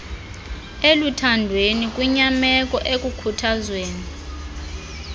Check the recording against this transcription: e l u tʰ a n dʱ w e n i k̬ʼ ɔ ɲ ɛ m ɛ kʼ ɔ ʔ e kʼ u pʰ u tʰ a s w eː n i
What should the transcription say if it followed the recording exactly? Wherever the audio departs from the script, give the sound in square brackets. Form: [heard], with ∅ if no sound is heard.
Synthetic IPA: e l u tʰ a n dʱ w e n i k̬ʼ [u] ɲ [a] m ɛ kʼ ɔ ʔ e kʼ u [kʰ] u tʰ a [z] w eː n i

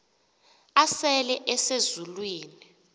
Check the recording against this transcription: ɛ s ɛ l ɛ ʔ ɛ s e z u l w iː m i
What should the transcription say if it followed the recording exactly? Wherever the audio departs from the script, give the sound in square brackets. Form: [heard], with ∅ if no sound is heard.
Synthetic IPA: [a] s ɛ l ɛ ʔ ɛ s e z u l w iː [n] i

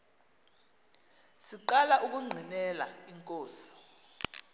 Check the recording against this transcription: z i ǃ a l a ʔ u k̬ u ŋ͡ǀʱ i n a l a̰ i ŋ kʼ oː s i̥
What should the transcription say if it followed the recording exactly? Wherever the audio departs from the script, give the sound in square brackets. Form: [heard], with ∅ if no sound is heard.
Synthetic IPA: [s] i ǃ a l a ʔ u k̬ u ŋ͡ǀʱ i n [ɛ] l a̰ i ŋ kʼ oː s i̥

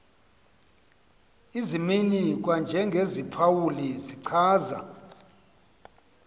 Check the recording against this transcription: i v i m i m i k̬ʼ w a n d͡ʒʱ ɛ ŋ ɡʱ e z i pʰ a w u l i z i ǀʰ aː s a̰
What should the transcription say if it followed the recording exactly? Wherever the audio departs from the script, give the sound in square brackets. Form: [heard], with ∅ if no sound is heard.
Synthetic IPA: i [z] i m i [n] i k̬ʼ w a n d͡ʒʱ ɛ ŋ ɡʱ e z i pʰ a w u l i z i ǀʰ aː [z] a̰

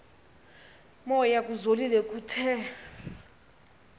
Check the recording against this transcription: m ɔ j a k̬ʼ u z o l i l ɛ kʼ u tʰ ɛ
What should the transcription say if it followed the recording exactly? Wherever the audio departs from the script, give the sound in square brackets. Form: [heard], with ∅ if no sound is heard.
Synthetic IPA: m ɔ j a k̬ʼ u z o l i l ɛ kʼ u tʰ ɛ

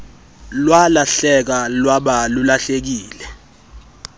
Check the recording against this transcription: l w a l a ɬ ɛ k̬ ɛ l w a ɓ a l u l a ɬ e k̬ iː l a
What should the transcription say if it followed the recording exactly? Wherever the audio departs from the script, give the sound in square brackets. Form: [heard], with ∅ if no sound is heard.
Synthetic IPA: l w a l a ɬ ɛ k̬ [a] l w a ɓ a l u l a ɬ e k̬ iː l [ɛ]

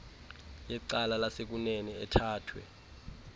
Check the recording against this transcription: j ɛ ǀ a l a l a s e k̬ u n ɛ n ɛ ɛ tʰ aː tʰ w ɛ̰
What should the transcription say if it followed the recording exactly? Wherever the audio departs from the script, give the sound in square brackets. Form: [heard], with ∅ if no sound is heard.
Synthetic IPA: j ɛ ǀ a l a l a s e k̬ u n ɛ n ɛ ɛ tʰ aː tʰ w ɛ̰

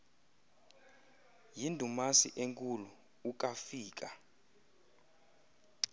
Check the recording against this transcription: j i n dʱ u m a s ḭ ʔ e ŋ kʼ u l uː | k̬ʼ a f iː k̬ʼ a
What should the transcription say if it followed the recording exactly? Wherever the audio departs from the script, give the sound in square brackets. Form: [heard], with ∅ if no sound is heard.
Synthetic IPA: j i n dʱ u m a s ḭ ʔ e ŋ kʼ u l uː | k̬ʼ a f iː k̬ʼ a

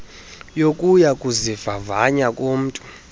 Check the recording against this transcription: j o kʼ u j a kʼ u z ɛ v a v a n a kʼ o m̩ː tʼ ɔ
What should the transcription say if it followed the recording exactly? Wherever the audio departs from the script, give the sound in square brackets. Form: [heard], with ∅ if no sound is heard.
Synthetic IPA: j o kʼ u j a kʼ u z [i] v a v a [ɲ] a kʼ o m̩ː tʼ [u]

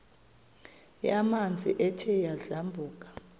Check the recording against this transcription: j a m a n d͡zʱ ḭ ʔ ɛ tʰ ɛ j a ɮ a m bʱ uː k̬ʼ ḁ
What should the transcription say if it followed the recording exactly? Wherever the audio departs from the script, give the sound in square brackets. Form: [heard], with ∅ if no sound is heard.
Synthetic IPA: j a m a n d͡zʱ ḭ ʔ ɛ tʰ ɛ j a ɮ a m bʱ uː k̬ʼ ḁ

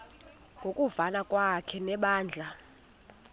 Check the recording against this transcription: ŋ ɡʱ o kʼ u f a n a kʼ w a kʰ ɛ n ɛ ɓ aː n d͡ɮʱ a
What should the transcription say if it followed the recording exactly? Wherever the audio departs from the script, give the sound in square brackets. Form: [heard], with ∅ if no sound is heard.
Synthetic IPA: ŋ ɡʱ o kʼ u [v] a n a kʼ w a kʰ ɛ n ɛ ɓ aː n d͡ɮʱ a

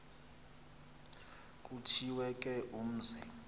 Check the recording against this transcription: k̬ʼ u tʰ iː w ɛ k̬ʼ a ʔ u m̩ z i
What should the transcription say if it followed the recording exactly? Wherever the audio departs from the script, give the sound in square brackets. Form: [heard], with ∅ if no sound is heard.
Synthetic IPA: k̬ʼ u tʰ [i] w ɛ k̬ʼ [ɛ] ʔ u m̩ z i

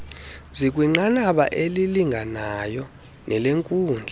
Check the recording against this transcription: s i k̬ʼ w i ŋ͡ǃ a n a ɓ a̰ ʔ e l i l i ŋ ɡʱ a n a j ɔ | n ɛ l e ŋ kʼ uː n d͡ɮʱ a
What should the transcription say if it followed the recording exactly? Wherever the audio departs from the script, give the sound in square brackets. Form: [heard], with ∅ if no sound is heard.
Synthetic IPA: [z] i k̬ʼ w i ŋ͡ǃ a n a ɓ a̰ ʔ e l i l i ŋ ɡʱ a n a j ɔ | n ɛ l e ŋ kʼ uː n d͡ɮʱ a

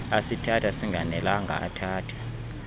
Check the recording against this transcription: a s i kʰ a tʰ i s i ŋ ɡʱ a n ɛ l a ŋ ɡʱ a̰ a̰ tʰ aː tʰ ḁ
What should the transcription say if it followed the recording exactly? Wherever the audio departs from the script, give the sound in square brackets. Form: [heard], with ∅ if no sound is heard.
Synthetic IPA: a s i [tʰ] a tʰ [a] s i ŋ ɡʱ a n ɛ l a ŋ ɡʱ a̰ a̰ tʰ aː tʰ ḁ

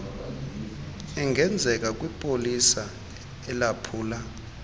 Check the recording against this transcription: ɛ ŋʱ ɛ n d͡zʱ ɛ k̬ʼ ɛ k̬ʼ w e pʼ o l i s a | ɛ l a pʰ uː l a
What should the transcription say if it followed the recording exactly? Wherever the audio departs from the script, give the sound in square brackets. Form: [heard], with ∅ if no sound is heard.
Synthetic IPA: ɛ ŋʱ ɛ n d͡zʱ ɛ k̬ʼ [a] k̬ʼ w [i] pʼ o l i s a | ɛ l a pʰ uː l a

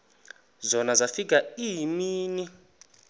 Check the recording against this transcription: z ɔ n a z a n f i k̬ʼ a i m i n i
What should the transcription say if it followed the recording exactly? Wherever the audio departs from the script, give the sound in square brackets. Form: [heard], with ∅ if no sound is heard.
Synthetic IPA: z ɔ n a z a [∅] f i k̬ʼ a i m [iː] n i

